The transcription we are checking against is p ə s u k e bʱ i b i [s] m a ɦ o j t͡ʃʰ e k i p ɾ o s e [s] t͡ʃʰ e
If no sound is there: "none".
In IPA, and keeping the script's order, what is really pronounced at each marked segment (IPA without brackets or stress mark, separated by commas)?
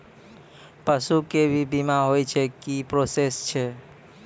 none, s